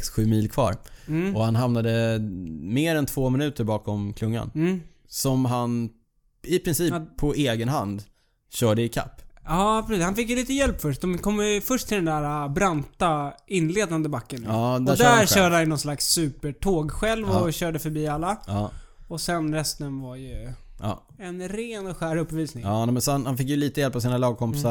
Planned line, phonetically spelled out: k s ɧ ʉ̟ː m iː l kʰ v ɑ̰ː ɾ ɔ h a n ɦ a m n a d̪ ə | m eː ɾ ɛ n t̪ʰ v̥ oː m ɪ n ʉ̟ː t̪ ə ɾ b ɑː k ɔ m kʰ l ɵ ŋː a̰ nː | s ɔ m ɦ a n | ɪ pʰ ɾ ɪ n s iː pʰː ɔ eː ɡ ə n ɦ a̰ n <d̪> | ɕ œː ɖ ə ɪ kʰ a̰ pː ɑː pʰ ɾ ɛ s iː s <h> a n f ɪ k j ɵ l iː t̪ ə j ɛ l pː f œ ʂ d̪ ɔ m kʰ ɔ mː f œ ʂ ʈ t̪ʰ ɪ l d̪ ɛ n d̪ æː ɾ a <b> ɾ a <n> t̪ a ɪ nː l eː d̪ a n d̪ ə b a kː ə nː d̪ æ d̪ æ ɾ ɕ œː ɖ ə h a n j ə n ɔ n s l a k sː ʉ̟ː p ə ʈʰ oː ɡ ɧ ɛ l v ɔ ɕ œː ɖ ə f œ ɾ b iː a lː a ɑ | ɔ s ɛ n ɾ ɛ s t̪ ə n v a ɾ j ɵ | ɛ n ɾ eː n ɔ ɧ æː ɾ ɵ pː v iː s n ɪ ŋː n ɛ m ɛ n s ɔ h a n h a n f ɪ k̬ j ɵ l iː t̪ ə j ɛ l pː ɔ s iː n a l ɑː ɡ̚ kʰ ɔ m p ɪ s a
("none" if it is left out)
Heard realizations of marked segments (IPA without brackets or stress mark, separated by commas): d̪, h, b, n